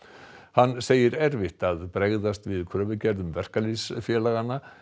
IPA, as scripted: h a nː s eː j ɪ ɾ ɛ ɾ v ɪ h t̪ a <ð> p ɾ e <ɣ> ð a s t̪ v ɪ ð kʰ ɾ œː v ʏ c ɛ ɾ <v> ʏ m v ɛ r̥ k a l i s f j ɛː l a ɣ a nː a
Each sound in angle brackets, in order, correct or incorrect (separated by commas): correct, correct, incorrect